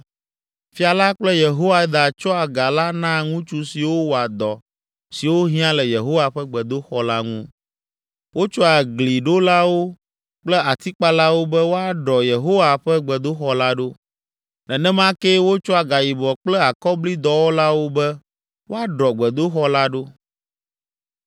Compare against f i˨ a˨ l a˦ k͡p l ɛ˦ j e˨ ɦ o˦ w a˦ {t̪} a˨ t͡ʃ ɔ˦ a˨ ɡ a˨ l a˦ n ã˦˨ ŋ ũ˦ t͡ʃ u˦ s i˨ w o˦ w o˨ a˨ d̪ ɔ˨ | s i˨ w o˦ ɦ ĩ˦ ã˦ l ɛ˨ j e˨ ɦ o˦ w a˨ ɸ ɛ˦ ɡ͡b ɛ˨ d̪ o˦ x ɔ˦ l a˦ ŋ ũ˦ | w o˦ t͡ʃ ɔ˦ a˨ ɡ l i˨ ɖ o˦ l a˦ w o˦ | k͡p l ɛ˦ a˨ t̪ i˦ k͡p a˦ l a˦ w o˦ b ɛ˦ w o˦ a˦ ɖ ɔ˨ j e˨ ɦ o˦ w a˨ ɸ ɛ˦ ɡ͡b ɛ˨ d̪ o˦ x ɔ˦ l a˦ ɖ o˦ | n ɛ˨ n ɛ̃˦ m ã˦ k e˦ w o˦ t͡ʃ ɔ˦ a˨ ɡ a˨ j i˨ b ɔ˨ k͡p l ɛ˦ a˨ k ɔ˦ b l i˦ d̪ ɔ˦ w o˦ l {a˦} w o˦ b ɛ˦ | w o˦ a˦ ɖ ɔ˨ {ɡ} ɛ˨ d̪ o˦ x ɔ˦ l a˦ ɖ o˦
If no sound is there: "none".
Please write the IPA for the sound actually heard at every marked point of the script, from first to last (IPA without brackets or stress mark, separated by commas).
d̪, a˦, ɡ͡b